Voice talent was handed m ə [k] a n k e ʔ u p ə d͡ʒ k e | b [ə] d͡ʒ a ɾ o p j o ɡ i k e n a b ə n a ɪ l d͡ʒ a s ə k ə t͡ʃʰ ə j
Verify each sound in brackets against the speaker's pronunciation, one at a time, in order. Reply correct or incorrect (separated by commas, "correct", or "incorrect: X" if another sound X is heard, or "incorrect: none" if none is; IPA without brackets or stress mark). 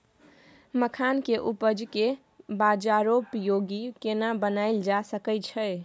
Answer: incorrect: kʰ, incorrect: a